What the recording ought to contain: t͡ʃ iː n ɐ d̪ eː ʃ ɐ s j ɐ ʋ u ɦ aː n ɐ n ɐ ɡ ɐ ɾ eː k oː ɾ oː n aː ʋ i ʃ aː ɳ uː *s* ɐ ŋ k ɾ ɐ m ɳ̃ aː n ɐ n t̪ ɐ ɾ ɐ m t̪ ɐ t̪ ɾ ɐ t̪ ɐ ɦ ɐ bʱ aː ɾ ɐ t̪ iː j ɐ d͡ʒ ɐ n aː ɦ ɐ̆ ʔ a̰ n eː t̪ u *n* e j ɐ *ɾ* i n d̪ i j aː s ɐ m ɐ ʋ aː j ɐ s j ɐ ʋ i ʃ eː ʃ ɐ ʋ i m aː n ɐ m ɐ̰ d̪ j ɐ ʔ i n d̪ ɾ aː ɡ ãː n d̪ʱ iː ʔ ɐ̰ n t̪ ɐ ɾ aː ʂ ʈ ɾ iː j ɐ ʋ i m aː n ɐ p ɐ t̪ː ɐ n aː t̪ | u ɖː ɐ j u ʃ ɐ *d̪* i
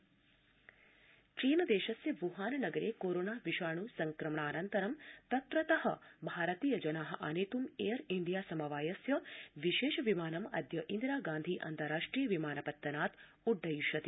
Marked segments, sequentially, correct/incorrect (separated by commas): correct, incorrect, correct, incorrect